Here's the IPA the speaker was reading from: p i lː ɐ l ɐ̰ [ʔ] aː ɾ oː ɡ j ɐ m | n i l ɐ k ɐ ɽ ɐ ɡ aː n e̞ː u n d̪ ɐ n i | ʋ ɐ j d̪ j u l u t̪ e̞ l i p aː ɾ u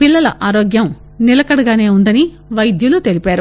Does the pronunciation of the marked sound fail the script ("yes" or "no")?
no